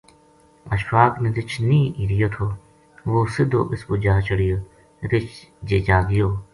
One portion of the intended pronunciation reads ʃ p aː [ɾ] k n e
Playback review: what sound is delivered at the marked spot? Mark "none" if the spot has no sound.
none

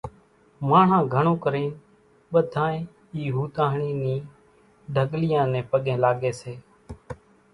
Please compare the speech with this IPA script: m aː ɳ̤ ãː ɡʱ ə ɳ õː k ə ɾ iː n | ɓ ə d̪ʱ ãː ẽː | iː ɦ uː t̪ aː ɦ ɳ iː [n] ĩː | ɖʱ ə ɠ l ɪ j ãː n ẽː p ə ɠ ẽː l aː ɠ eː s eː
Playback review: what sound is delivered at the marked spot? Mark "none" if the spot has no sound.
n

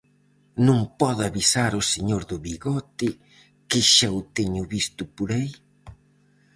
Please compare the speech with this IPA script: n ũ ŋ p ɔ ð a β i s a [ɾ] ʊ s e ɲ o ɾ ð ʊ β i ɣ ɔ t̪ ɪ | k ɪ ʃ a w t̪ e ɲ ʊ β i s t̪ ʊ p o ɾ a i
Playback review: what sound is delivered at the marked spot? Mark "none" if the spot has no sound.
ɾ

